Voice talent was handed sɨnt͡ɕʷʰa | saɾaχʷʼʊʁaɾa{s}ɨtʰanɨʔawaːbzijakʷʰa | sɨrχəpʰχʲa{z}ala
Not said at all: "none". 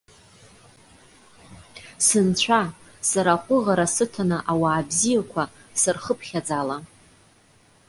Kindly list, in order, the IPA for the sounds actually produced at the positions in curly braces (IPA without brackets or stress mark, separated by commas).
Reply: s, d͡z